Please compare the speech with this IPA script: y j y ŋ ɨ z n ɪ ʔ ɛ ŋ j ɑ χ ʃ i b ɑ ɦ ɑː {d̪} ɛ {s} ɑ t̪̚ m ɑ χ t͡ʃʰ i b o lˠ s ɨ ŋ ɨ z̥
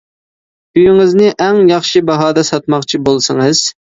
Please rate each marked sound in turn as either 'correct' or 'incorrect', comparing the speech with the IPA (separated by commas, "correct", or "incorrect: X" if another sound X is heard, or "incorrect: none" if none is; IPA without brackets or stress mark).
correct, correct